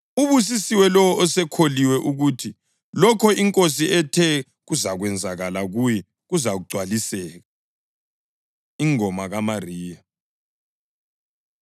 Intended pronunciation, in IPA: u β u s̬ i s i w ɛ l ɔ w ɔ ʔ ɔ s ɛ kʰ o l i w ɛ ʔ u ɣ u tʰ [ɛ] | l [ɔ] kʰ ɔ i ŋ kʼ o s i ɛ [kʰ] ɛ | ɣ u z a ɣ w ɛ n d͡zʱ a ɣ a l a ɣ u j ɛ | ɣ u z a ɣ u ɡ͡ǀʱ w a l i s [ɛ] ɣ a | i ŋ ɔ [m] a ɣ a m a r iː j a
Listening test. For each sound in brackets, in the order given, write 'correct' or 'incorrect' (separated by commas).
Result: incorrect, correct, incorrect, incorrect, correct